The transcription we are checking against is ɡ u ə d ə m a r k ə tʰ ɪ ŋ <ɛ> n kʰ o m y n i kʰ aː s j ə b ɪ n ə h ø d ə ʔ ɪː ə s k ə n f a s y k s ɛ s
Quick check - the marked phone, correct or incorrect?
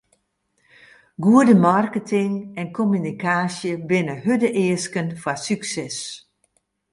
correct